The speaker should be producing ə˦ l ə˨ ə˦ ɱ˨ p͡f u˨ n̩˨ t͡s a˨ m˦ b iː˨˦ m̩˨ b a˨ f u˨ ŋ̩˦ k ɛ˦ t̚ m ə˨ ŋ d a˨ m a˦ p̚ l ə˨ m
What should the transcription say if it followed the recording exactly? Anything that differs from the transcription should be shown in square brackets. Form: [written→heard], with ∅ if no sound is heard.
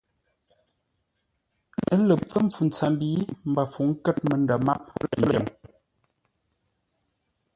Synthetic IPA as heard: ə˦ l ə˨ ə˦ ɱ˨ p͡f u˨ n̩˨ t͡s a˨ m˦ b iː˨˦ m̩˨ b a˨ f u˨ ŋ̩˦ k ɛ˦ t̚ m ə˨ [ŋ→n] d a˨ m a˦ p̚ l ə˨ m